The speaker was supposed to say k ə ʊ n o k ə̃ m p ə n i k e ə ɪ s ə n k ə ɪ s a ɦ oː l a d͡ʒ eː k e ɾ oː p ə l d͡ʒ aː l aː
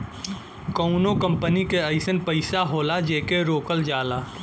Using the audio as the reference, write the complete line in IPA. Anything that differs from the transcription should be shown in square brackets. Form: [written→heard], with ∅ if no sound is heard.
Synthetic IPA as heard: k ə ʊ n o k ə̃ m p ə n i k e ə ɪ s ə n [k→p] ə ɪ s a ɦ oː l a d͡ʒ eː k e ɾ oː [p→k] ə l d͡ʒ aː l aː

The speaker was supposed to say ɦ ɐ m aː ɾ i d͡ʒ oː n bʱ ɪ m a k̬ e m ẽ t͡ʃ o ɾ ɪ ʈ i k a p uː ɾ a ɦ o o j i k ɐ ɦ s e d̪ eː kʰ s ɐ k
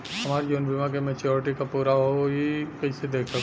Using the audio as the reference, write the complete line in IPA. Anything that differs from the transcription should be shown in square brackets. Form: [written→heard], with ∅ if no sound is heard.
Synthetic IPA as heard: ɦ ɐ m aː ɾ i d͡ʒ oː n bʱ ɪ m a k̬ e m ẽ t͡ʃ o ɾ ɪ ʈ i k a p uː ɾ a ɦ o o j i k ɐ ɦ s e d̪ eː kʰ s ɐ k

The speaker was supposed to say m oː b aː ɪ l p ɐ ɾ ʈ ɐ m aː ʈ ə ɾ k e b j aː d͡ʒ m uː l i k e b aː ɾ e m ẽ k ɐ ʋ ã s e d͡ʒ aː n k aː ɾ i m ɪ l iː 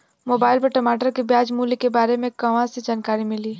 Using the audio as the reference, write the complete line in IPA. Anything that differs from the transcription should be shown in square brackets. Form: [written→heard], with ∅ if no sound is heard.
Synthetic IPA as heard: m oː b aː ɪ l p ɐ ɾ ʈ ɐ m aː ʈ ə ɾ k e b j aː d͡ʒ m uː l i k e b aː ɾ e m ẽ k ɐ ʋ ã s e d͡ʒ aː n k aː ɾ i m ɪ l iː

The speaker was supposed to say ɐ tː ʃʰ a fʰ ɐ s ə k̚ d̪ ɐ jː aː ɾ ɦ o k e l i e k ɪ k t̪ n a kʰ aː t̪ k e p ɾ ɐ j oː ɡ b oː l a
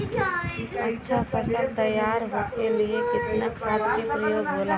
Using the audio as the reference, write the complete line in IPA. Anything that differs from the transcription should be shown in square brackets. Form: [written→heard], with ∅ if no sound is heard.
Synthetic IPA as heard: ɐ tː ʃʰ a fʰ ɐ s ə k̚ [d̪→t̪] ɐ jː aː ɾ ɦ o k e l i e k ɪ [k→∅] t̪ n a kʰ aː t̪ k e p ɾ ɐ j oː ɡ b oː l a

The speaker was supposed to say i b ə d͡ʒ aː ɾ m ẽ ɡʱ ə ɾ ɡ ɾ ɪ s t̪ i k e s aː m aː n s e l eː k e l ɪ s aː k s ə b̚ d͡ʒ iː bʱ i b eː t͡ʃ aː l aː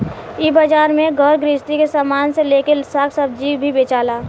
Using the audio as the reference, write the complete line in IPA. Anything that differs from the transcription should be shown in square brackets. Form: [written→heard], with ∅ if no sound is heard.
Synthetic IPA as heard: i b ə d͡ʒ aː ɾ m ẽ ɡʱ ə ɾ ɡ ɾ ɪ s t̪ i k e s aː m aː n s e l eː k e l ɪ s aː k s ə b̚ d͡ʒ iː bʱ i b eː t͡ʃ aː l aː

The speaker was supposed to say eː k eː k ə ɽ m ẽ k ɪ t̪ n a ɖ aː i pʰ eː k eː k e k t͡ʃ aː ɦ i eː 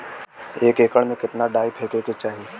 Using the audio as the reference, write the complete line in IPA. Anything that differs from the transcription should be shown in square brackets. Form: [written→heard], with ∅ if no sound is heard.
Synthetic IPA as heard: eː k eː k ə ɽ m ẽ k ɪ t̪ n a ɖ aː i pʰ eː k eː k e [k→∅] t͡ʃ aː ɦ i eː

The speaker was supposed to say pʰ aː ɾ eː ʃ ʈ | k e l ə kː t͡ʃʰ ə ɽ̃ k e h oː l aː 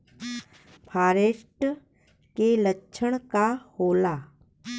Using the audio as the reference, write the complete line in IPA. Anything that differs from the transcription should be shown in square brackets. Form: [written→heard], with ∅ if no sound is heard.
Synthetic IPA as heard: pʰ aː ɾ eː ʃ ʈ | k e l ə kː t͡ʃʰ ə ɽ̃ k [e→a] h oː l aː

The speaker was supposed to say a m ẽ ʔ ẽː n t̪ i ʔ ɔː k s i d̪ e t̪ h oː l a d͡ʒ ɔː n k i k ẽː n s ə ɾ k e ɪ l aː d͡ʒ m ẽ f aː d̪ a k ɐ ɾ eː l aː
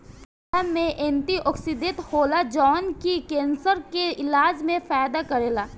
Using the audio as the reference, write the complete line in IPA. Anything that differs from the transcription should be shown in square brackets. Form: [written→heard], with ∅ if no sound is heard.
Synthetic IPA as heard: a m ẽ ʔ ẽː n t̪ i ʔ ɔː k s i d̪ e t̪ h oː l a d͡ʒ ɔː n k i k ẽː n s ə ɾ k e ɪ l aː d͡ʒ m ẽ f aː d̪ a k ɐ ɾ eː l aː

